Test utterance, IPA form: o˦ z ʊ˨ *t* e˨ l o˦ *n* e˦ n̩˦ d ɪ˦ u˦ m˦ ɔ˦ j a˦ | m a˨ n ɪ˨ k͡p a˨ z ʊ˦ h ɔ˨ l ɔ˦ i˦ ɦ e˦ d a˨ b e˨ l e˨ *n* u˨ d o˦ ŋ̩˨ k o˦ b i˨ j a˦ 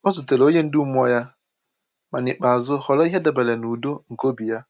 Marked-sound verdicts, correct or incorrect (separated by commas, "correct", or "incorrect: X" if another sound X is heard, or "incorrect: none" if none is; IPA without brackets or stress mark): correct, incorrect: ɲ, correct